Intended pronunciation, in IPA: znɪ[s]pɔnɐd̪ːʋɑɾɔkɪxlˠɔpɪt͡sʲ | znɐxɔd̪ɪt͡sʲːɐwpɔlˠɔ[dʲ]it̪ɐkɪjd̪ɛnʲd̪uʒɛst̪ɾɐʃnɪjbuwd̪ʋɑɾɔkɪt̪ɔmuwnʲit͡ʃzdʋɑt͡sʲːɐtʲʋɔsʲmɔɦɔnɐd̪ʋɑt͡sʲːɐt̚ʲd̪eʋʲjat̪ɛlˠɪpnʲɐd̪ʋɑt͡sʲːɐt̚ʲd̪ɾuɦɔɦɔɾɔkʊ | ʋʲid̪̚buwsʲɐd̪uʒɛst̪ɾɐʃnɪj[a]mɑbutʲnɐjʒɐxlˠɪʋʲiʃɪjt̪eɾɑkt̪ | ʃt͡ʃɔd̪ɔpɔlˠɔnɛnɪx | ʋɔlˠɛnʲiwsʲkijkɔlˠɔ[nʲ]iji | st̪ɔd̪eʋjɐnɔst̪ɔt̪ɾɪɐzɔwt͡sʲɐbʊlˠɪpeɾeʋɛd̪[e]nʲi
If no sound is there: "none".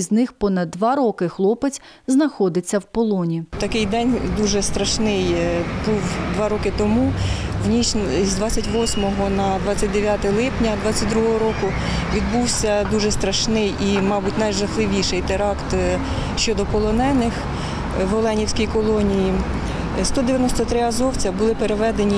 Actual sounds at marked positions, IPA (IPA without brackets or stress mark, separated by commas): x, nʲ, i, nʲ, e